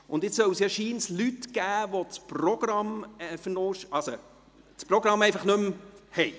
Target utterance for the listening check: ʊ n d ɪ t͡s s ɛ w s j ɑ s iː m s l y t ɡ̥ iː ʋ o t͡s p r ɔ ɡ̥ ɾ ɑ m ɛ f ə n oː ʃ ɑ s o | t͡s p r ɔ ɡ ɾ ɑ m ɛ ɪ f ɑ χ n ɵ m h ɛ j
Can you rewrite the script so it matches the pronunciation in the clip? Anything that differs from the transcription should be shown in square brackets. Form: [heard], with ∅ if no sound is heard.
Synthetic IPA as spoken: ʊ n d ɪ t͡s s [œ] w s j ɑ [ʃ] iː [n] s l y t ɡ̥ [æː] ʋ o t͡s p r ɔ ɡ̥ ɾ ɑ m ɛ f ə n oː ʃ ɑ s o | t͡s p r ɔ ɡ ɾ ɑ m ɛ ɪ f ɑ χ n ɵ m h ɛ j